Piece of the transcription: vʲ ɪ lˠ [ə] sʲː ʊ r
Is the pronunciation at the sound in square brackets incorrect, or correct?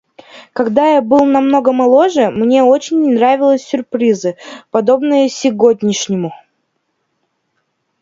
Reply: correct